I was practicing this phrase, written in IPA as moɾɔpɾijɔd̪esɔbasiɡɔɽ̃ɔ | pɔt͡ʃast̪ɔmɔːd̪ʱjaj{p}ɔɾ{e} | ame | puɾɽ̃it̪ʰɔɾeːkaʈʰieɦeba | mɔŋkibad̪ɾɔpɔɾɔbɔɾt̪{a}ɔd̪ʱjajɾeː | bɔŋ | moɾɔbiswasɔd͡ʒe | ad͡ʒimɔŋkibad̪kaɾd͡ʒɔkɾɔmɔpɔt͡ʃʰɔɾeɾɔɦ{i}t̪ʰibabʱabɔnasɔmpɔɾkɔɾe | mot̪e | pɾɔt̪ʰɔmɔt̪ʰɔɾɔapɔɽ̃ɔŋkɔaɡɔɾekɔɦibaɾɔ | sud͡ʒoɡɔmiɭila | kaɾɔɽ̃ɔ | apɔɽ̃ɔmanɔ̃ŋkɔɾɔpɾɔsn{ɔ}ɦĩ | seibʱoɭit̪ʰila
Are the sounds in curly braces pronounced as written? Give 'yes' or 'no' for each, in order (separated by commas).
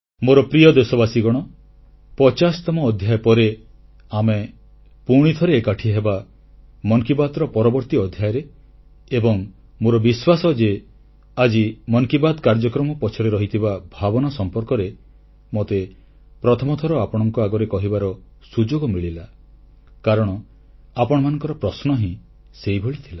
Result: yes, yes, no, yes, yes